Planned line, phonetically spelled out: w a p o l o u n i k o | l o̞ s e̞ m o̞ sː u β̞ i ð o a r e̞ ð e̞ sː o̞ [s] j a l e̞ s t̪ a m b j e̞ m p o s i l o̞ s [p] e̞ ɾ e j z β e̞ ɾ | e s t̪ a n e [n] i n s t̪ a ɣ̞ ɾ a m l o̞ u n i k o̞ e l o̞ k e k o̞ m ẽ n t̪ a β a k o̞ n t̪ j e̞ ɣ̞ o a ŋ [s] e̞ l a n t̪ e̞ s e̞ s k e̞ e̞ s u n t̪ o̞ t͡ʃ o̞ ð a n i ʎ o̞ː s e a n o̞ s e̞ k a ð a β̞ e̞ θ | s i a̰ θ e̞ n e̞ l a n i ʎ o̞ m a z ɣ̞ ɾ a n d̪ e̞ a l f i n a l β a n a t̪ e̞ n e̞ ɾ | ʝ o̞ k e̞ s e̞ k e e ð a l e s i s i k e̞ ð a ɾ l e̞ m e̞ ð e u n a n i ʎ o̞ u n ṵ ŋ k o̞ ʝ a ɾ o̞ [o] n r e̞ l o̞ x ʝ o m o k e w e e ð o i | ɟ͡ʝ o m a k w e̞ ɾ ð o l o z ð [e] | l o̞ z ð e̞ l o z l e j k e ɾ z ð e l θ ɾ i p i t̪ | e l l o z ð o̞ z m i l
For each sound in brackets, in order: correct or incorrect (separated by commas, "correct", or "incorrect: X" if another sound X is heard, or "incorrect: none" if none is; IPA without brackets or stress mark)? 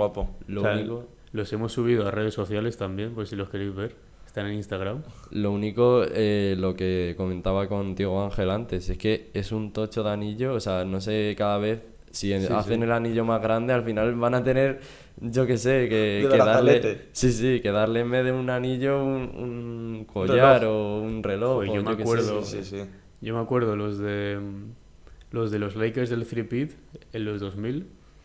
incorrect: θ, incorrect: k, correct, incorrect: x, incorrect: u, correct